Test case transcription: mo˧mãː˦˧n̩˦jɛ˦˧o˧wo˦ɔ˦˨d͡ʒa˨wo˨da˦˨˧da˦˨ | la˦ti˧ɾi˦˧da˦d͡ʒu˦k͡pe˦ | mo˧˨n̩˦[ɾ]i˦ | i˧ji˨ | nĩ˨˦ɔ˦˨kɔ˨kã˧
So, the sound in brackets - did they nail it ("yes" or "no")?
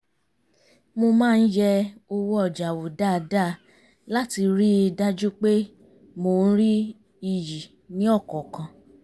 yes